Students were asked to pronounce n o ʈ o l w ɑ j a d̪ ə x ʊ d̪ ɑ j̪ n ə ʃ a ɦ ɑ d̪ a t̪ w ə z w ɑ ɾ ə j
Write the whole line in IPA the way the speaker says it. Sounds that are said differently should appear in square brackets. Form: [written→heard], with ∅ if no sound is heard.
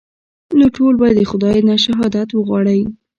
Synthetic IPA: n o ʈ o l [w→b] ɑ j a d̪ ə x ʊ d̪ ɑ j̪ n [ə→a] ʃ a ɦ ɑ d̪ a t̪ w ə [z→ɣ] w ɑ [ɾ→ɽ] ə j